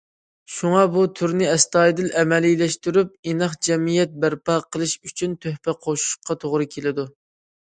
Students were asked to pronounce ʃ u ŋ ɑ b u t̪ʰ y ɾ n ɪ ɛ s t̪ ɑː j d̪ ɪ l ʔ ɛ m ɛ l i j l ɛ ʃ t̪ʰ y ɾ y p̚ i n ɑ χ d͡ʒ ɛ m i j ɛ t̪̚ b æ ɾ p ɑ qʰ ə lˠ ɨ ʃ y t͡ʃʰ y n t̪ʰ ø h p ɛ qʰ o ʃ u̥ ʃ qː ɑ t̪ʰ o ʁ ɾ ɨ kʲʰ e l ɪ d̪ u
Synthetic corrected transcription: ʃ u ŋ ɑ b u t̪ʰ y ɾ n ɪ ɛ s t̪ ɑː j d̪ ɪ l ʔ ɛ m ɛ l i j l ɛ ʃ t̪ y ɾ y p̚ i n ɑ χ d͡ʒ ɛ m i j ɛ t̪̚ b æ ɾ p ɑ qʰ ə lˠ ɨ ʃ y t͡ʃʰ y n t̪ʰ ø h p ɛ qʰ o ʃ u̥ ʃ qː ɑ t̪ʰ o ʁ ɾ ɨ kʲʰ e l ɪ d̪ u

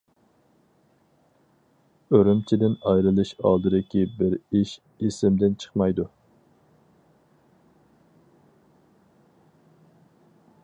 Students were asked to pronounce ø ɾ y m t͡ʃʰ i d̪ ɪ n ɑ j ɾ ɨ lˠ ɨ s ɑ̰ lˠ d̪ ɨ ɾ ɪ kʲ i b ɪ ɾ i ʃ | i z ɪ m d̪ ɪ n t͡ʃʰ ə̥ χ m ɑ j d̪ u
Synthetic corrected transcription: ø ɾ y m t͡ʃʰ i d̪ ɪ n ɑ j ɾ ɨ lˠ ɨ ʃ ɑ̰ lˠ d̪ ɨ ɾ ɪ kʲ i b ɪ ɾ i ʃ | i s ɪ m d̪ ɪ n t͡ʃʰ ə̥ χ m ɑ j d̪ u

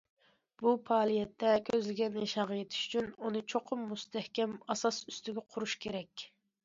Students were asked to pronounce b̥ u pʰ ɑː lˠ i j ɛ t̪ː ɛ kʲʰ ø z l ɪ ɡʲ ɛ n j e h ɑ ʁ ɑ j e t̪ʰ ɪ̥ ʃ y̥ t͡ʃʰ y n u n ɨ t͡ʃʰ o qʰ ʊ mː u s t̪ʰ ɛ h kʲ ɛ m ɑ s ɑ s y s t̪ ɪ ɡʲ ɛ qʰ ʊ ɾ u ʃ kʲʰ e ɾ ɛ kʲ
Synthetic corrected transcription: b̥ u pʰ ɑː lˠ i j ɛ t̪ː ɛ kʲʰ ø z l ɪ ɡʲ ɛ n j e ʃ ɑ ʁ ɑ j e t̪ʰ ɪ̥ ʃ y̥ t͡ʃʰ y n u n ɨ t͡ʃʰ o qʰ ʊ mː u s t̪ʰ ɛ h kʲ ɛ m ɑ s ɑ s y s t̪ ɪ ɡʲ ɛ qʰ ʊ ɾ u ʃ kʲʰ e ɾ ɛ kʲ

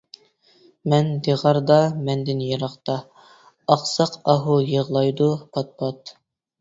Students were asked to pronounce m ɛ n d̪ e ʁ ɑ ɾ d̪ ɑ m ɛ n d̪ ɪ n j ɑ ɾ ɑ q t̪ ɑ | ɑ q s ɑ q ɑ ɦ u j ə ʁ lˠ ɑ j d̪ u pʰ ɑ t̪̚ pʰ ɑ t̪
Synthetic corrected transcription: m ɛ n d̪ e ʁ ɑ ɾ d̪ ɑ m ɛ n d̪ ɪ n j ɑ ɾ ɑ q t̪ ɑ | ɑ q s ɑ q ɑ ɦ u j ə ʁ lˠ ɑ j d̪ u pʰ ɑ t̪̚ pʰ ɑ t̪

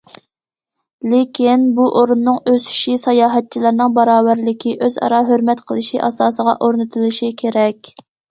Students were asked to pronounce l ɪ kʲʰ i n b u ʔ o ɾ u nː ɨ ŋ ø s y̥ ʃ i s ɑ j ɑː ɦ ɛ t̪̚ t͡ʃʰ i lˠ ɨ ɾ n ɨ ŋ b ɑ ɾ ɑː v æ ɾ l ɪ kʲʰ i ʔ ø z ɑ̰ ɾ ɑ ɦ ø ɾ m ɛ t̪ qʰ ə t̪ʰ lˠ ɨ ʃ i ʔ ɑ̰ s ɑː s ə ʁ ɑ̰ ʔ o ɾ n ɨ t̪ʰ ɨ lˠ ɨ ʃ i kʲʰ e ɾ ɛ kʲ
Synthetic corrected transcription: l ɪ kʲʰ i n b u ʔ o ɾ u nː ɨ ŋ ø s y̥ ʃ i s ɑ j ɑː ɦ ɛ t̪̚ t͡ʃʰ i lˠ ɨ ɾ n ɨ ŋ b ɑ ɾ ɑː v æ ɾ l ɪ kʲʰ i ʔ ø z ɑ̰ ɾ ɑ ɦ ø ɾ m ɛ t̪ qʰ ə lˠ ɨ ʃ i ʔ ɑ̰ s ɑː s ə ʁ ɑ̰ ʔ o ɾ n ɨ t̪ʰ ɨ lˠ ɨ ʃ i kʲʰ e ɾ ɛ kʲ

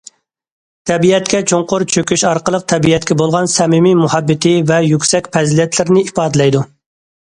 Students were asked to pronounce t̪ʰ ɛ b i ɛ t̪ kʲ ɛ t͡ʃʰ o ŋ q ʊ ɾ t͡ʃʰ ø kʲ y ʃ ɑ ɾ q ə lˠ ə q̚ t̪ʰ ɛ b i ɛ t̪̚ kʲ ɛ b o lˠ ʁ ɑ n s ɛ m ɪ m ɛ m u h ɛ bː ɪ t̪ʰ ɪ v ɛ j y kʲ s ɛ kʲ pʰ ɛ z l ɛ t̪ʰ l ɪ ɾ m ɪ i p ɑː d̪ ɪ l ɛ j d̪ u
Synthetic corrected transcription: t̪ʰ ɛ b i ɛ t̪ kʲ ɛ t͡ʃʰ o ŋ q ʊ ɾ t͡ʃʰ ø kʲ y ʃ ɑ ɾ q ə lˠ ə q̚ t̪ʰ ɛ b i ɛ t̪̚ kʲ ɛ b o lˠ ʁ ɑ n s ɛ m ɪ m i m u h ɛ bː ɪ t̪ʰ ɪ v ɛ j y kʲ s ɛ kʲ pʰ ɛ z l ɛ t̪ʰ l ɪ ɾ n ɪ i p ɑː d̪ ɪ l ɛ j d̪ u

